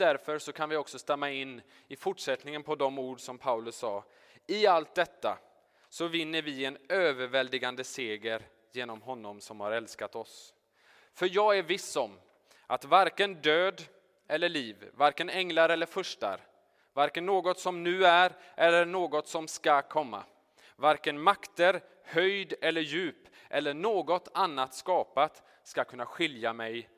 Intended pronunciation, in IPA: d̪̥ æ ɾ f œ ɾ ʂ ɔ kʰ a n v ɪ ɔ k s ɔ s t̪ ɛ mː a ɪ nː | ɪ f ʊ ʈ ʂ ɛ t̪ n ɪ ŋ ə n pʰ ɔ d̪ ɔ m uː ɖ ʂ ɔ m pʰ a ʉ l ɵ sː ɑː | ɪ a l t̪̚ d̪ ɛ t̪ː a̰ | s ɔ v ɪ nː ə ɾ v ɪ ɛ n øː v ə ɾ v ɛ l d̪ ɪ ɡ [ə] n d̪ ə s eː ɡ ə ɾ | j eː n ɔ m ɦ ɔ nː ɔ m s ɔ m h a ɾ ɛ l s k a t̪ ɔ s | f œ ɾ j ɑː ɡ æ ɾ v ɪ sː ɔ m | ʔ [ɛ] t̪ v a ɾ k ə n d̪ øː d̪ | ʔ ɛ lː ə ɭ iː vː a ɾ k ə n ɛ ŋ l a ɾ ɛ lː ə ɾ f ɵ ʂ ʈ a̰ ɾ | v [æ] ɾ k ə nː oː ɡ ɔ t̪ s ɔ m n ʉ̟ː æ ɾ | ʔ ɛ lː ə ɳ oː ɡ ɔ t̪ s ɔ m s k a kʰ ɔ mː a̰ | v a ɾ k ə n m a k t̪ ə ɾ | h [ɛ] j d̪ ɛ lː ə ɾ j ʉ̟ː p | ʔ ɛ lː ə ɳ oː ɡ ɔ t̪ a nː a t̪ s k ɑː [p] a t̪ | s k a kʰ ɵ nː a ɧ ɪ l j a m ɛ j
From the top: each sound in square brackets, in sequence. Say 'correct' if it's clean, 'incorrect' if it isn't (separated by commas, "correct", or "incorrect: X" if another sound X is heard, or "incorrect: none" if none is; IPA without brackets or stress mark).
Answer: incorrect: a, incorrect: a, incorrect: a, incorrect: œ, correct